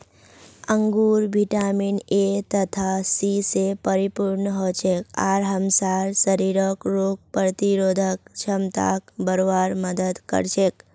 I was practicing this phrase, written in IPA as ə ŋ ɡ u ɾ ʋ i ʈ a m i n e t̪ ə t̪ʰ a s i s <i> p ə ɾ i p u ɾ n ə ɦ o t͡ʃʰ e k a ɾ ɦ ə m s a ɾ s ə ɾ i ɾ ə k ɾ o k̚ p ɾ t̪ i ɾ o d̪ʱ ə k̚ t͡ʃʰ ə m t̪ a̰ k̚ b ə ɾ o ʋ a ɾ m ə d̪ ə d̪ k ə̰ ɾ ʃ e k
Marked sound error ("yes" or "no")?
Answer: yes